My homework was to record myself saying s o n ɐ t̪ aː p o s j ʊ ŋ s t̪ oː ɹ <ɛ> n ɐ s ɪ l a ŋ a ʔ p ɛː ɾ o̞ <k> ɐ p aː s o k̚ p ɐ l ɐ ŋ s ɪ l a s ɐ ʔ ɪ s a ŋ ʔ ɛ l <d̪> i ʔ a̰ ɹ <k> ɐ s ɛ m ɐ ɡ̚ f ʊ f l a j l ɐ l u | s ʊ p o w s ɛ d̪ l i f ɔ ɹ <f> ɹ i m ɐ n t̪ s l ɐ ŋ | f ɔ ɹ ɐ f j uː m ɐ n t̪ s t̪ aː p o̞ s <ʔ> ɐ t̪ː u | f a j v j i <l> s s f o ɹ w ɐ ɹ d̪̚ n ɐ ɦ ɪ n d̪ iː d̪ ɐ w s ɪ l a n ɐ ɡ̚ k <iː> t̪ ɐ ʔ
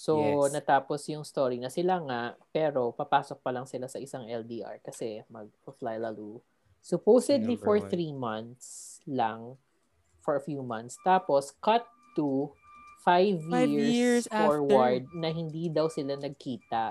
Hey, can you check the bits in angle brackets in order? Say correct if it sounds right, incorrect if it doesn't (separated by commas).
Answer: incorrect, incorrect, correct, correct, incorrect, incorrect, incorrect, correct